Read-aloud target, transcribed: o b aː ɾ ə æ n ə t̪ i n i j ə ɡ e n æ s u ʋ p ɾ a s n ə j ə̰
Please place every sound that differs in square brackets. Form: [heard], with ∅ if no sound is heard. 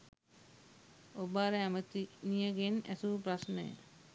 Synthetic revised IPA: o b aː ɾ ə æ [m] ə t̪ i n i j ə ɡ e n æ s u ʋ p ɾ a s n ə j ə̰